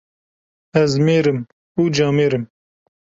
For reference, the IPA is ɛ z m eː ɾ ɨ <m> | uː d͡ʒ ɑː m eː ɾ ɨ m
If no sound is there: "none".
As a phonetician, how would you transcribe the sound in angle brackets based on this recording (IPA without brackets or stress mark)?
m